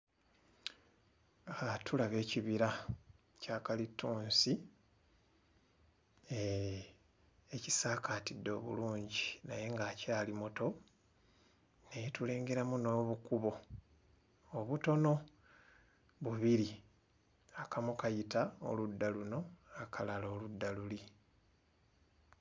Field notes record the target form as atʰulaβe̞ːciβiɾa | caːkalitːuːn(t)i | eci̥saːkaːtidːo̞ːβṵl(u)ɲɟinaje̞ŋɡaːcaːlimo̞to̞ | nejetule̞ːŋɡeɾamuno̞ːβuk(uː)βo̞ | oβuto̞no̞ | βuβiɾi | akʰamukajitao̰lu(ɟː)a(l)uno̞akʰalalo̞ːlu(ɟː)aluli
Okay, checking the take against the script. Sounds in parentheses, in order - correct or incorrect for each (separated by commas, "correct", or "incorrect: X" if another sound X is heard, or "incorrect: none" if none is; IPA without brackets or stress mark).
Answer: incorrect: s, incorrect: uː, incorrect: u, incorrect: dː, correct, incorrect: dː